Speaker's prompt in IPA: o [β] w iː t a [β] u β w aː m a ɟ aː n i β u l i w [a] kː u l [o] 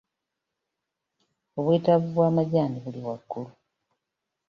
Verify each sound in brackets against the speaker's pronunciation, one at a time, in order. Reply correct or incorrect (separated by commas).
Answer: correct, correct, correct, incorrect